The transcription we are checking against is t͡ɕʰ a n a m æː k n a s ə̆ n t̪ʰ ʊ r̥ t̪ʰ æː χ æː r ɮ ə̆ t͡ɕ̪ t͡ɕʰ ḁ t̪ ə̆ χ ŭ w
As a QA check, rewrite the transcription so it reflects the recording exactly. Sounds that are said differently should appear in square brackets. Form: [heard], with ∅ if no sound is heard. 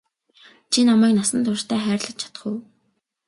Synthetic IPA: t͡ɕʰ [i] n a m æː k n a s ə̆ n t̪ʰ ʊ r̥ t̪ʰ æː χ æː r ɮ ə̆ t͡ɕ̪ t͡ɕʰ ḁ t̪ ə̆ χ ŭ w

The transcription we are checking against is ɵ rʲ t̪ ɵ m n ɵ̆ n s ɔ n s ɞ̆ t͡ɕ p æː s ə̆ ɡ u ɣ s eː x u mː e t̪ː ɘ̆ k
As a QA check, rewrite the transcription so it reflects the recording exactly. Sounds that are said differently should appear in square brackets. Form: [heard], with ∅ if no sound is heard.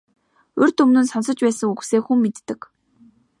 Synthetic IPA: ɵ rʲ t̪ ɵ m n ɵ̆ n s ɔ n s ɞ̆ t͡ɕ p æː s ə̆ [ŋ] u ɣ s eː x u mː e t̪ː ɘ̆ k

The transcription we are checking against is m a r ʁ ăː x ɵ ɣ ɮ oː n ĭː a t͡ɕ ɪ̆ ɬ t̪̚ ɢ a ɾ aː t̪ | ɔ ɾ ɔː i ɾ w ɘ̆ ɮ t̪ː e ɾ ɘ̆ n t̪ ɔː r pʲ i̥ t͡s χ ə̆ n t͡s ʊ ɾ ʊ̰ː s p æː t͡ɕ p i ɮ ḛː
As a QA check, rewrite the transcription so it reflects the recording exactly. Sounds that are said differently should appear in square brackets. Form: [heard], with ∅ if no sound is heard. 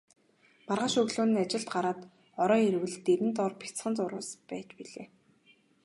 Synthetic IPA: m a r ʁ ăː [ʃ] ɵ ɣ ɮ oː n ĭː a t͡ɕ ɪ̆ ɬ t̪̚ ɢ a ɾ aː t̪ | ɔ ɾ ɔː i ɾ w ɘ̆ ɮ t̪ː e ɾ ɘ̆ n t̪ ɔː r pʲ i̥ t͡s χ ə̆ n t͡s ʊ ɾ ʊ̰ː s p æː t͡ɕ p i ɮ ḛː

